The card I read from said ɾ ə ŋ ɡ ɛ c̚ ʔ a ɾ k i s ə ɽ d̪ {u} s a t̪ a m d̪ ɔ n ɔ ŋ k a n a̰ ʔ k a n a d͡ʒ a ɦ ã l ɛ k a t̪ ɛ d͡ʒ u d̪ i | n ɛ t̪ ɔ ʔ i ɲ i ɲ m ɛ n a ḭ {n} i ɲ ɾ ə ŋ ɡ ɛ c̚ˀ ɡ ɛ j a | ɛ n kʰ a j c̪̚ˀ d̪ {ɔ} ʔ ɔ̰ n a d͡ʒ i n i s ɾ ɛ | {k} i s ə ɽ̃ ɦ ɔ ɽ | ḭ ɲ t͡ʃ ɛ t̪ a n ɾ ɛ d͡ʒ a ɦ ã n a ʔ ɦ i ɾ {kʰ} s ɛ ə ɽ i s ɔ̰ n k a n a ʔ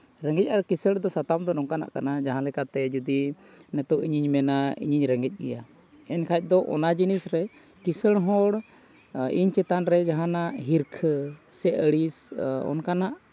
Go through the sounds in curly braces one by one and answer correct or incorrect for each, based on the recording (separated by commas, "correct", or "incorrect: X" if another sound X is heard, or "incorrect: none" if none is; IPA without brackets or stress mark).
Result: incorrect: ɔ, incorrect: ɲ, correct, correct, correct